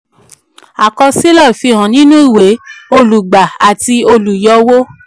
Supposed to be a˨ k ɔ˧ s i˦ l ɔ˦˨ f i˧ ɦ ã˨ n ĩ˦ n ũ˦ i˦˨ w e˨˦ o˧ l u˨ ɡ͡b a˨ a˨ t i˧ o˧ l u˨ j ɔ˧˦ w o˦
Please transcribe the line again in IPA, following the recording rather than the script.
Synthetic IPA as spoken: a˨ k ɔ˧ s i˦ l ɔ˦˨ f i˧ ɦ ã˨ n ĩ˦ n ũ˦ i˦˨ w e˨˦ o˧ l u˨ ɡ͡b a˨ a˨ t i˧ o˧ l u˨ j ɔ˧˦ w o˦